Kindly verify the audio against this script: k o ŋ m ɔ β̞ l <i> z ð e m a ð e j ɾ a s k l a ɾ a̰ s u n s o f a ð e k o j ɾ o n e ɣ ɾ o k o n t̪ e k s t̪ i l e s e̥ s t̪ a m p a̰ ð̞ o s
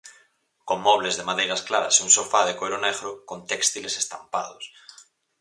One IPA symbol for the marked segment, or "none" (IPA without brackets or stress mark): e